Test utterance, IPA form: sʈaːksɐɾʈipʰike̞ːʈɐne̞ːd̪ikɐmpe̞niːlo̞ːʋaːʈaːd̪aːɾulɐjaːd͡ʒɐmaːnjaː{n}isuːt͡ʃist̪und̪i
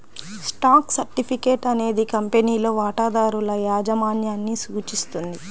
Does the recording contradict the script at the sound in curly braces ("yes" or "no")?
yes